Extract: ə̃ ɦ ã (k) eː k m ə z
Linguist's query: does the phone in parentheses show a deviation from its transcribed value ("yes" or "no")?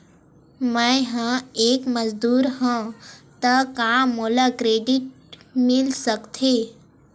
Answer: yes